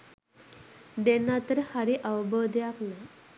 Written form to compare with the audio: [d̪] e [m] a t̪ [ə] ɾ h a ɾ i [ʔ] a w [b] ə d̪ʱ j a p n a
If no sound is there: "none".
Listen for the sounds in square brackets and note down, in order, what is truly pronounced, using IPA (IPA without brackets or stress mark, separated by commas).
d̪, n, ə, ʔ, b